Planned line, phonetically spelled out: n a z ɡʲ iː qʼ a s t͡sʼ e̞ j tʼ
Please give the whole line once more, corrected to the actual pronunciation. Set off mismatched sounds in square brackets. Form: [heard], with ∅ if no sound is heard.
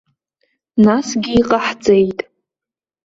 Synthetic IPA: n a [s] ɡʲ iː qʼ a [ħ] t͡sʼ e̞ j tʼ